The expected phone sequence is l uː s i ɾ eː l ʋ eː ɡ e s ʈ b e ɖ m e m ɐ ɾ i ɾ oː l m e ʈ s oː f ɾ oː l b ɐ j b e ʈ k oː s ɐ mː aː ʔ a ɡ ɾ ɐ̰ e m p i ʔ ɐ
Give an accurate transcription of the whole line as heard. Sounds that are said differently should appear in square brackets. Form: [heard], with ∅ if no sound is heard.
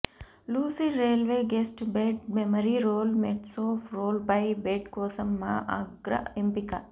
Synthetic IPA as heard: l uː s i ɾ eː l ʋ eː ɡ e s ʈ b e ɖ m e m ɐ ɾ i ɾ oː l m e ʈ s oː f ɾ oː l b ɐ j b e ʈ k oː s ɐ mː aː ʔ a ɡ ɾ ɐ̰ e m p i [k] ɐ